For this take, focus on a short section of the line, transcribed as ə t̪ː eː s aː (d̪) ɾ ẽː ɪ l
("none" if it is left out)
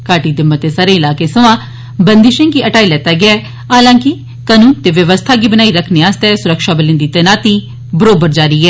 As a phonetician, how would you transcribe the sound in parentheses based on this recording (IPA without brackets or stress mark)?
none